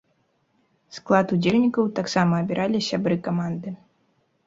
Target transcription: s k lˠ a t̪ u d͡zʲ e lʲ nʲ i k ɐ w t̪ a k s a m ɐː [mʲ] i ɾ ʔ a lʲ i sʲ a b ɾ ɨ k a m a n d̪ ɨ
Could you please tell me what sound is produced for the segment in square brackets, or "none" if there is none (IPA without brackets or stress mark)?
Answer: bʲ